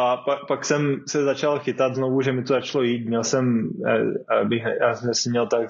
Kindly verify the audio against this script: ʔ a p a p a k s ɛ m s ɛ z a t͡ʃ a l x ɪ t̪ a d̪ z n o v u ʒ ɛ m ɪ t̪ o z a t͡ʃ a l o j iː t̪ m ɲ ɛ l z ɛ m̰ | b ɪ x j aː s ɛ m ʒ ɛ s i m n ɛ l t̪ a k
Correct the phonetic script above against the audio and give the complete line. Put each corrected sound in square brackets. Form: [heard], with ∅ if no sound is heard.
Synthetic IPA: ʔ a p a p a k s ɛ m s ɛ z a t͡ʃ a l x ɪ t̪ a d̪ z n o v u ʒ ɛ m ɪ t̪ o z a t͡ʃ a l o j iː t̪ m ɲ ɛ l [s] ɛ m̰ | b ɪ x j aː s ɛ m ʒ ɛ s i m [ɲ] ɛ l t̪ a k